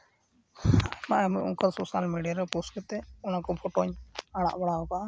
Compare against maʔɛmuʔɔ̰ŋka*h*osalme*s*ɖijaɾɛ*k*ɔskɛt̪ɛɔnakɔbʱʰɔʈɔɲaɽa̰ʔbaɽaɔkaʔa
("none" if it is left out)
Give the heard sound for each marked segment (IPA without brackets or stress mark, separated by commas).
s, none, p